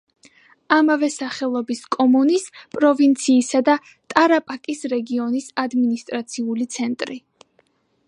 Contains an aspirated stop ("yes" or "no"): no